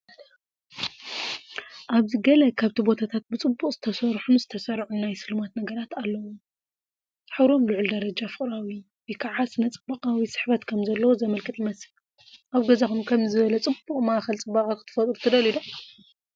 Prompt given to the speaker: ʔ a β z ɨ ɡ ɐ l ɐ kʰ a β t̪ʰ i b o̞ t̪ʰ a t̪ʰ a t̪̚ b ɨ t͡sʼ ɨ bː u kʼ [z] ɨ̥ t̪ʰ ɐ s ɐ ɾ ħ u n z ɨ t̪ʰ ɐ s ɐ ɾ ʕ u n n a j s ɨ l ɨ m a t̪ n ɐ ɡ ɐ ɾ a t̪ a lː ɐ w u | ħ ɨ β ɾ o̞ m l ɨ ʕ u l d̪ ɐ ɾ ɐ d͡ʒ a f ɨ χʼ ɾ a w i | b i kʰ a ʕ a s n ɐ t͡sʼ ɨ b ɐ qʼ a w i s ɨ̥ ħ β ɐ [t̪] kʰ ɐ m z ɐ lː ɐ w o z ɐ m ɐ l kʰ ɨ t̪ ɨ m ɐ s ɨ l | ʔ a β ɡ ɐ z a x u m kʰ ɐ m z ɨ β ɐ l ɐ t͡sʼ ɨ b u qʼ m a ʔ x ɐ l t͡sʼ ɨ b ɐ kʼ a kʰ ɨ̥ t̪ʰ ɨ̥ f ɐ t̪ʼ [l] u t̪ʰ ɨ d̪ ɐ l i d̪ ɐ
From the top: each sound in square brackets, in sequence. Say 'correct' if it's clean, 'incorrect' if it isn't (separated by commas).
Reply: correct, correct, incorrect